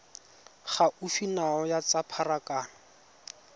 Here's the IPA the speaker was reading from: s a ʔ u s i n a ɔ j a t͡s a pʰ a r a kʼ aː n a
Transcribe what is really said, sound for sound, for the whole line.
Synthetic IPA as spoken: χ a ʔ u f i n a ɔ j a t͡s a pʰ a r a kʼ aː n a